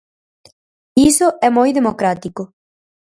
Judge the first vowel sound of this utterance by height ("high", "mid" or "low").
high